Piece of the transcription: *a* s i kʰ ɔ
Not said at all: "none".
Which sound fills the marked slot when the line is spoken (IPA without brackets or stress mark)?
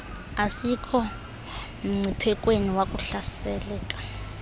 a